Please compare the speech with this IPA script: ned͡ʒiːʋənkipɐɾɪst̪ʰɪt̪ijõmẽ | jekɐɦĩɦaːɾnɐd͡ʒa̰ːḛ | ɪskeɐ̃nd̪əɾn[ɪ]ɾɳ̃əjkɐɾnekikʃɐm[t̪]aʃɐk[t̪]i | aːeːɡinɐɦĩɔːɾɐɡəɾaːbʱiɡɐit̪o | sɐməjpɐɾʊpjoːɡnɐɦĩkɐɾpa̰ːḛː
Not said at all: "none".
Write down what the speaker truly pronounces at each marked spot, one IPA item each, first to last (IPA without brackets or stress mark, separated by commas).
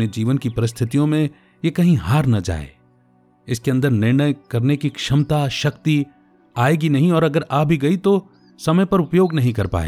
ɪ, t̪, t̪